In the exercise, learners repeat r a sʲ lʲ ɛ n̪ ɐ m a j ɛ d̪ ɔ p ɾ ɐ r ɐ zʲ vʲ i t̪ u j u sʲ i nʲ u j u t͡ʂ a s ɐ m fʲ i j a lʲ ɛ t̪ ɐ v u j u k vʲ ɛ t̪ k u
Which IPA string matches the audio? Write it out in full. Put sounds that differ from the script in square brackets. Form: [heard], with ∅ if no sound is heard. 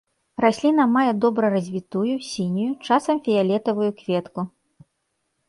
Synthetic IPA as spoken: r a sʲ lʲ [i] n̪ ɐ m a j ɛ d̪ ɔ [b] ɾ ɐ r ɐ zʲ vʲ i t̪ u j u sʲ i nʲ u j u t͡ʂ a s ɐ m fʲ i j a lʲ ɛ t̪ ɐ v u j u k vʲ ɛ t̪ k u